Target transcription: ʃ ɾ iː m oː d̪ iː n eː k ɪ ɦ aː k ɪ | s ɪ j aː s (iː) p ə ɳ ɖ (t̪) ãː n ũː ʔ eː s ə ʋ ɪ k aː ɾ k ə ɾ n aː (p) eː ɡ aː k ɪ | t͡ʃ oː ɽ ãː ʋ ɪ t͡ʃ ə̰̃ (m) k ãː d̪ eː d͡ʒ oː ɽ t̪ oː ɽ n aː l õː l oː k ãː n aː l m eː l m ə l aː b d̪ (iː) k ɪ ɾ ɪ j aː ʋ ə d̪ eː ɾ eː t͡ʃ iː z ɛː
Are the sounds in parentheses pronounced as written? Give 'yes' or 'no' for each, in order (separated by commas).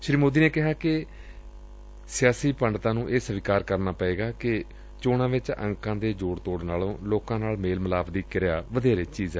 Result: yes, yes, yes, no, yes